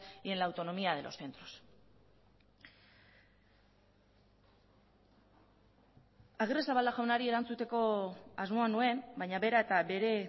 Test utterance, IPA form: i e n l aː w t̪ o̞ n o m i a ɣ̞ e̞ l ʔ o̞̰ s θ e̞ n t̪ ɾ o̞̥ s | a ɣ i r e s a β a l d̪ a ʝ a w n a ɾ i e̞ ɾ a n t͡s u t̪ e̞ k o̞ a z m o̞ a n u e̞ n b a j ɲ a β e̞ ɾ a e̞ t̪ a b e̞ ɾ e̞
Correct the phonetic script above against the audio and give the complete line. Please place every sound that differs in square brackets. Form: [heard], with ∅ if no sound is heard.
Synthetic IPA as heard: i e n l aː w t̪ o̞ n o m i a [ð̞] e̞ l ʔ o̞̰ s θ e̞ n t̪ ɾ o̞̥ s | a ɣ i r e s a β a l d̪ a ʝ a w n a ɾ i e̞ ɾ a n t͡s u t̪ e̞ k o̞ a z m o̞ a n u e̞ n b a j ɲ a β e̞ ɾ a e̞ t̪ a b e̞ ɾ e̞